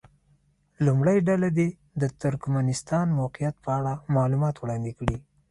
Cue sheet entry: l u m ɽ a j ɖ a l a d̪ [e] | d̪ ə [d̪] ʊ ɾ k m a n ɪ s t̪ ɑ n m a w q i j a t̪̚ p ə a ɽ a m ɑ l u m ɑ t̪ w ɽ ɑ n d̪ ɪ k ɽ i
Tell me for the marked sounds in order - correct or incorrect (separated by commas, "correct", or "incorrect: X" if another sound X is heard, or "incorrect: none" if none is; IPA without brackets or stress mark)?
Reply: correct, incorrect: t̪